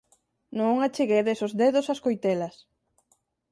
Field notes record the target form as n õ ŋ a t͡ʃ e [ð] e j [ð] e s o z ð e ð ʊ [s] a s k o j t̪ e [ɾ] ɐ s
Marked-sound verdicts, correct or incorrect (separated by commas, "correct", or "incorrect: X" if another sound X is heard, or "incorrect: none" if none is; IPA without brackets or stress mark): incorrect: ɣ, correct, correct, incorrect: l